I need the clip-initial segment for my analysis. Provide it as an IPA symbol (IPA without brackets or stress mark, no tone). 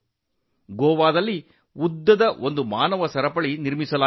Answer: ɡ